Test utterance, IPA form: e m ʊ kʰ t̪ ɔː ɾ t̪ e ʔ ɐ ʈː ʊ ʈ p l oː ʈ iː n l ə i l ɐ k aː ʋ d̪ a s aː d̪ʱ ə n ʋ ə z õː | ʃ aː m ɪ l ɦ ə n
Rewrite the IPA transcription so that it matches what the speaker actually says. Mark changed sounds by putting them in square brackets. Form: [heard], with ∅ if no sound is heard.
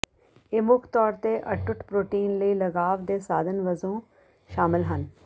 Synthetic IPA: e m ʊ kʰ t̪ ɔː ɾ t̪ e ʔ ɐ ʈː ʊ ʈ p [ɾ] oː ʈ iː n l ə i l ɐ [ɡ] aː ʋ d̪ [e] s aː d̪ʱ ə n ʋ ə z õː | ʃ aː m ɪ l ɦ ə n